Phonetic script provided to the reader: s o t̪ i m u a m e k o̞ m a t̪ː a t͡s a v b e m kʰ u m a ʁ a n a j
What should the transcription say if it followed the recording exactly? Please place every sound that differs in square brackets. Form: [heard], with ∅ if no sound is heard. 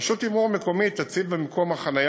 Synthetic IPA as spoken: [ʃ] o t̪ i m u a m e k o̞ m [i] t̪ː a t͡s [i] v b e m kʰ [o] m a [χ] a n a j